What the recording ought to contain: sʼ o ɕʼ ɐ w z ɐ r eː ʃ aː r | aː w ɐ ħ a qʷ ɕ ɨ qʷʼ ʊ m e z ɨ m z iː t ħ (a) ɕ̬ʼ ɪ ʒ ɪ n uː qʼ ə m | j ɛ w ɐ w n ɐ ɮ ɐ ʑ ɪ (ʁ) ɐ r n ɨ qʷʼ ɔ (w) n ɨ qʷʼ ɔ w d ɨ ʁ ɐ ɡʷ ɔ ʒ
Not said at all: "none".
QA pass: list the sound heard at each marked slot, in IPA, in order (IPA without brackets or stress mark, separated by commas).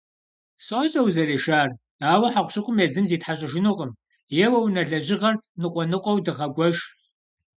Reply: a, ʁ, none